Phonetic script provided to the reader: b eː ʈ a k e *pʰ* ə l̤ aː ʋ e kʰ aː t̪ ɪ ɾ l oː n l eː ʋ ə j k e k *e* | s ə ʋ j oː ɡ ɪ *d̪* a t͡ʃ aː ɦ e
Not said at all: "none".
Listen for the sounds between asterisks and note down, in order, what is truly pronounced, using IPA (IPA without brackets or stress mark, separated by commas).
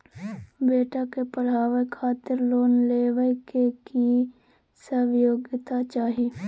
p, i, t̪